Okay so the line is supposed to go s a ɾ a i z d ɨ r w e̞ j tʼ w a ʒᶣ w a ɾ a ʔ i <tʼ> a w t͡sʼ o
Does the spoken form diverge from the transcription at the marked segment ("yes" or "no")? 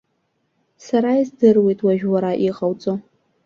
yes